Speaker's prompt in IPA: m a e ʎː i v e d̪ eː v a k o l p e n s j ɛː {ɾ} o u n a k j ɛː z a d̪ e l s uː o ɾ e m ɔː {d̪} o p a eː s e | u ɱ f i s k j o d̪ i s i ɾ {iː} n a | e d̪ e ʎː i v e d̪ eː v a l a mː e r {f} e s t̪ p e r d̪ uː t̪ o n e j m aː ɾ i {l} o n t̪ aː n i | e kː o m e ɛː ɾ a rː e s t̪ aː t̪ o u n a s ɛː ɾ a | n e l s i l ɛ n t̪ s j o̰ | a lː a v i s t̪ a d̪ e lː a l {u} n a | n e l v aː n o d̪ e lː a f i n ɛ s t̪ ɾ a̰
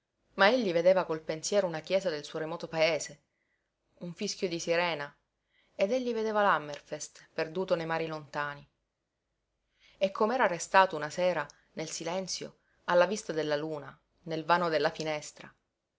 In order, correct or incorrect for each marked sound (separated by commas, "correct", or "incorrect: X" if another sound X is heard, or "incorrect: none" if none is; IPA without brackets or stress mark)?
correct, incorrect: t̪, incorrect: ɛː, correct, correct, incorrect: uː